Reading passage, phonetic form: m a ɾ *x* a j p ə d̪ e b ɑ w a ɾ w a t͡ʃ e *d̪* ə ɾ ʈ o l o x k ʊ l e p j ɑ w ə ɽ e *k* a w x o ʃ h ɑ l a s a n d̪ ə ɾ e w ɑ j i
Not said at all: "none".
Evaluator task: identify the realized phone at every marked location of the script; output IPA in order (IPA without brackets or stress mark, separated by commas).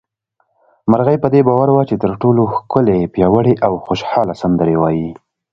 ɣ, t̪, ʔ